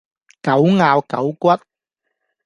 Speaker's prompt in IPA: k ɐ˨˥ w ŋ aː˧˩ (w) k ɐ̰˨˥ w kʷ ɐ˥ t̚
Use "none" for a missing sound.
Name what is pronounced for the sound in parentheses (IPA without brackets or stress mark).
w